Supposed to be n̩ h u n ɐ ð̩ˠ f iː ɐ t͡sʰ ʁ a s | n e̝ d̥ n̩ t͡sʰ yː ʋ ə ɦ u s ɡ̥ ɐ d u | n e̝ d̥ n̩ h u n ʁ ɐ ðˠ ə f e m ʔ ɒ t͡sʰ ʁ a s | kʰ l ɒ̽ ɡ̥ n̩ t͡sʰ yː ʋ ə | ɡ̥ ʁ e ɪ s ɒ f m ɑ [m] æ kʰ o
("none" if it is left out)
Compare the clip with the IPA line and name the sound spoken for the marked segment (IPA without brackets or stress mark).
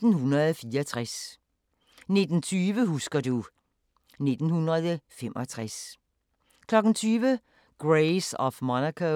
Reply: n